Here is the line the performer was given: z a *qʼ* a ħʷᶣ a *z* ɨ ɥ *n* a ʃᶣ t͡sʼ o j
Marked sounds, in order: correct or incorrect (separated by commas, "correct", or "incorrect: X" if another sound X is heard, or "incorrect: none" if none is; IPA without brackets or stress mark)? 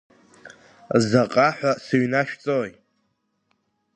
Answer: correct, incorrect: s, correct